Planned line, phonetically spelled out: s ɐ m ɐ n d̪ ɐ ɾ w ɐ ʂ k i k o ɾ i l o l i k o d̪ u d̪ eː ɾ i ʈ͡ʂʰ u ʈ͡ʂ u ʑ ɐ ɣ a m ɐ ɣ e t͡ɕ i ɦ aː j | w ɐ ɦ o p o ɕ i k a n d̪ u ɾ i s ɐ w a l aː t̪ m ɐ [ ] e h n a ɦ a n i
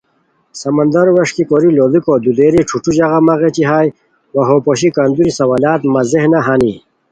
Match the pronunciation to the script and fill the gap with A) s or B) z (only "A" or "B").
B